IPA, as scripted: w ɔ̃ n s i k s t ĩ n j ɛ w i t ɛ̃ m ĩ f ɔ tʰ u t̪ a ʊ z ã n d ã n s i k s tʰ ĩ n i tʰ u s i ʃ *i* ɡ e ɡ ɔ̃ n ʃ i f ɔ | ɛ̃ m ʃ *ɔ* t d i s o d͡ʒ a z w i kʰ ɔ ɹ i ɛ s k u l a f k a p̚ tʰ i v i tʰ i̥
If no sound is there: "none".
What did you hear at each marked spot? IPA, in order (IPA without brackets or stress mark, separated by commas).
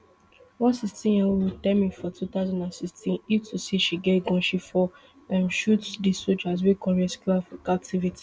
i, u